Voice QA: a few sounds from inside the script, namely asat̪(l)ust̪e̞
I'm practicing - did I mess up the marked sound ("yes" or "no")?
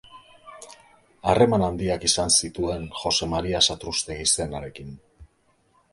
yes